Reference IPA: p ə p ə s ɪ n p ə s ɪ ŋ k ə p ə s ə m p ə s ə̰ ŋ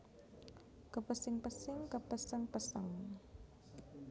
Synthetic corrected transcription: k ə p ə s ɪ ŋ p ə s ɪ ŋ k ə p ə s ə ŋ p ə s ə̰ ŋ